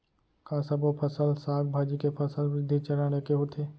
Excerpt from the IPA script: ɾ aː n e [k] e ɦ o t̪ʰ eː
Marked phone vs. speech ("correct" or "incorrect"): correct